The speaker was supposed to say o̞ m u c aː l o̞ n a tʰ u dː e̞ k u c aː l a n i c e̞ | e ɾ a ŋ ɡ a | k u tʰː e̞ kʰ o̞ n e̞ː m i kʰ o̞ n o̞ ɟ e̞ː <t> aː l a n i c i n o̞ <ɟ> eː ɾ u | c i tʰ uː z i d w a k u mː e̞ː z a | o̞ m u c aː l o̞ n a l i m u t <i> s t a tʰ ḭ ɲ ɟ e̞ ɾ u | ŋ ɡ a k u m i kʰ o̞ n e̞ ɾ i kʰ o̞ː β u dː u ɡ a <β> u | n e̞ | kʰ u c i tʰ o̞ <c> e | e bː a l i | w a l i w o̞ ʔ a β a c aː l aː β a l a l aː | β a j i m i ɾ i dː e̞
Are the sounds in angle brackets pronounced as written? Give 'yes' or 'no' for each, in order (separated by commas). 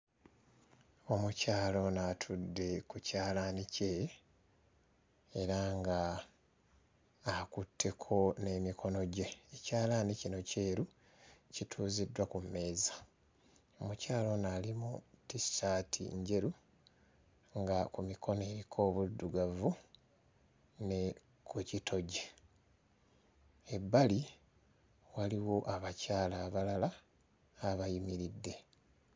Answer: no, no, yes, no, no